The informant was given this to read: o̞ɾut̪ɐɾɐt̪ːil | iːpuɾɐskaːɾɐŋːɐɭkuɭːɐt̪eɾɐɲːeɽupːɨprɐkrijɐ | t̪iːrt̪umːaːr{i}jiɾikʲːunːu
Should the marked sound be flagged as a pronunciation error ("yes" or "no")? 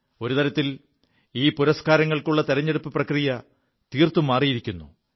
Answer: no